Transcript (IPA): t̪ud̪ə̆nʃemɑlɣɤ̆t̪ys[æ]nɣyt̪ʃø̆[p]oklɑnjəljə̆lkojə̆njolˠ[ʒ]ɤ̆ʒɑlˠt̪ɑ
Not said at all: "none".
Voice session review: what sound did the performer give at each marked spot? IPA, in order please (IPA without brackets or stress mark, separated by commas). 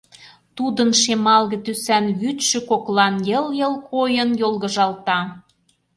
æ, k, ɣ